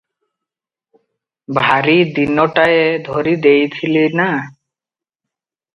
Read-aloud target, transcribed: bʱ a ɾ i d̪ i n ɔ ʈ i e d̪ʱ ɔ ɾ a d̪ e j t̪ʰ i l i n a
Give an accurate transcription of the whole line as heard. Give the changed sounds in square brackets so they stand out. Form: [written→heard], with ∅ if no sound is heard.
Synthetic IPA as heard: bʱ a ɾ i d̪ i n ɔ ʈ [i→a] e d̪ʱ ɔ ɾ [a→i] d̪ e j t̪ʰ i l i n a